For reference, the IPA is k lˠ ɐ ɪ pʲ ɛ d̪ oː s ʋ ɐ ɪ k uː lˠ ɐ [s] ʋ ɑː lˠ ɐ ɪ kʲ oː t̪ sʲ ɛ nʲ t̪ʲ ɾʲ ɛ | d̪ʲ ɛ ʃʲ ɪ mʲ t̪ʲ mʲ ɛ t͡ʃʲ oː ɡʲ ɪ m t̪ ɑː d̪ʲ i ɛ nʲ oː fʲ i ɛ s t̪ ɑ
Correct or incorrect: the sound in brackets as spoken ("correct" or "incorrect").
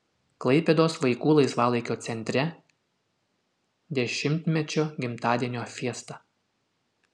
correct